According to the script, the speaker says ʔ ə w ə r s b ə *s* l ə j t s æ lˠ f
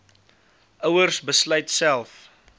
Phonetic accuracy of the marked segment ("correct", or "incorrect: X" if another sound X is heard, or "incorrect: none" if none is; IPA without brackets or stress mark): correct